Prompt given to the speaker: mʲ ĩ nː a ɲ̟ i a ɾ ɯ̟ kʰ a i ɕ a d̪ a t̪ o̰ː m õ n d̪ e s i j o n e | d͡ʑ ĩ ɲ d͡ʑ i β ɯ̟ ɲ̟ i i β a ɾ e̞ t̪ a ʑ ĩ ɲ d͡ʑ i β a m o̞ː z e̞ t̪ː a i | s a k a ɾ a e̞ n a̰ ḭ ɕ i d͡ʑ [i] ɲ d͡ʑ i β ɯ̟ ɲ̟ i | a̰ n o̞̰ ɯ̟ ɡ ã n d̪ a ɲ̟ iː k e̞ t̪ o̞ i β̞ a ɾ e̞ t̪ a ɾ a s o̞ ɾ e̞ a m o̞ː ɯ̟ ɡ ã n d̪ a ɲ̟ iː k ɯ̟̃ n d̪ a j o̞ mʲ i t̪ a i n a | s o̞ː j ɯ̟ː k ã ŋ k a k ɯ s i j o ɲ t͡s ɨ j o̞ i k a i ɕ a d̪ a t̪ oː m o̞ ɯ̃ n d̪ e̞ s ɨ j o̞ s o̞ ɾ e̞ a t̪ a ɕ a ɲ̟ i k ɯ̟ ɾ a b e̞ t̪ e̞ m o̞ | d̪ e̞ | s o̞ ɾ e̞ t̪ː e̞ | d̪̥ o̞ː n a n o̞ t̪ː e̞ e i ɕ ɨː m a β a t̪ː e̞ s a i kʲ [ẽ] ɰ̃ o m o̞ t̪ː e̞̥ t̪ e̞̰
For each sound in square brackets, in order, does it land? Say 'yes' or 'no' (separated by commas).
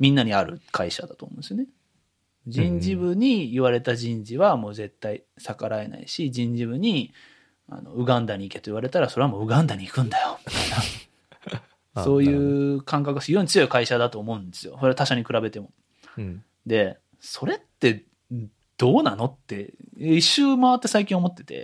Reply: no, no